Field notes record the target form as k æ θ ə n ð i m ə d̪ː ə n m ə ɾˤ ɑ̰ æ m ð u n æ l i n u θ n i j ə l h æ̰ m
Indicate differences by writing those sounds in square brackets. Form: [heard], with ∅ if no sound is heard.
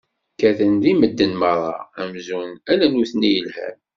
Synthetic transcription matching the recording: k æ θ ə n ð i m ə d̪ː ə n m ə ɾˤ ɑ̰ æ m [z] u n æ l [æ] n u θ n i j ə l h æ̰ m